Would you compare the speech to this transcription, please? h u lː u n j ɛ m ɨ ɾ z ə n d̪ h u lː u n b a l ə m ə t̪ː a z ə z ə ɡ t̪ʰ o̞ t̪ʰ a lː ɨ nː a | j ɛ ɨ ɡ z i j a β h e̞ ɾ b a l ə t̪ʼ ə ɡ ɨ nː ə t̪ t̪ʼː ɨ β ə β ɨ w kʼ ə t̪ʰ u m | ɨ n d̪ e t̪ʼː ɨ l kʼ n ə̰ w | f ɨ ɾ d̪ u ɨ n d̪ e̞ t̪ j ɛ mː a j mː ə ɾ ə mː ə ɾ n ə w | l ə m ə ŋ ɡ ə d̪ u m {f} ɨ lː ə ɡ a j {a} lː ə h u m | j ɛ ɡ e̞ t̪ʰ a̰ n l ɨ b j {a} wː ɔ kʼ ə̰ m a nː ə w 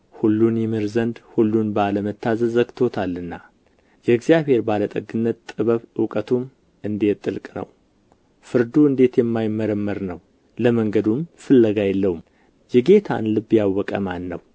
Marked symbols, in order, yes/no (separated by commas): yes, no, yes